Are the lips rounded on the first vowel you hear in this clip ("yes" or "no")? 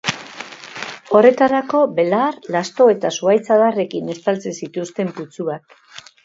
yes